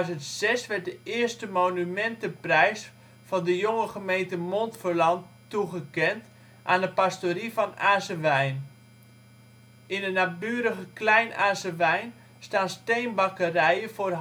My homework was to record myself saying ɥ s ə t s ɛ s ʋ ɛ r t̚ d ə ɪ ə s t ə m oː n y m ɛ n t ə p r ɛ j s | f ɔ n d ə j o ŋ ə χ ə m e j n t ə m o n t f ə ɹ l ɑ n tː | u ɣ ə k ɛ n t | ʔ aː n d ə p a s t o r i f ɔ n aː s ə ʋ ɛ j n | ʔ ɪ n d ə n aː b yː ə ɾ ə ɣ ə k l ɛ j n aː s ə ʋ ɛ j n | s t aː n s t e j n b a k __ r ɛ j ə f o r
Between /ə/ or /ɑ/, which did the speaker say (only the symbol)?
ə